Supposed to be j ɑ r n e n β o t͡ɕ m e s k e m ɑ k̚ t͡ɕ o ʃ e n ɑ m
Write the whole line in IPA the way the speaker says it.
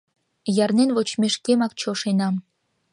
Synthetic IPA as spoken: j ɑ r n e n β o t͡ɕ m e ʃ k e m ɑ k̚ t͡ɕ o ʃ e n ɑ m